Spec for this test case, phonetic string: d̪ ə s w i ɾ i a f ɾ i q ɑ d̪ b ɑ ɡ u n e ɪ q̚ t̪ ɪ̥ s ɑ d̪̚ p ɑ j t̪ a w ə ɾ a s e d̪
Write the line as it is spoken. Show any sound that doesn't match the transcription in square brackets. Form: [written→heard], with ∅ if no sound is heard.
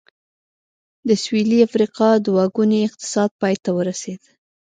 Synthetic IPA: d̪ ə s w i [ɾ→l] i a f ɾ i q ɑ d̪ [b→w] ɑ ɡ u n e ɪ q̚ t̪ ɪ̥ s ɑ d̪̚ p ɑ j t̪ a w ə ɾ a s e d̪